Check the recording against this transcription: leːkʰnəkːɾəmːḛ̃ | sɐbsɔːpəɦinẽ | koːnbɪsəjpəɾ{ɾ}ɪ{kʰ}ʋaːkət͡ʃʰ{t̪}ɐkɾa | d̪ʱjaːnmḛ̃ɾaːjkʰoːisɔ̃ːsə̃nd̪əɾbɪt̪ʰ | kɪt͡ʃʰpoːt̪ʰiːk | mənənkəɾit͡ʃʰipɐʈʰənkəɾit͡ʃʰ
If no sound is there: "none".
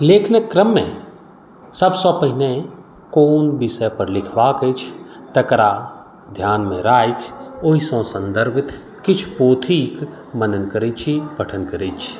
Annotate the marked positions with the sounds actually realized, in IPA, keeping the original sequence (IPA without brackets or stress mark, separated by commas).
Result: l, kʰ, t̪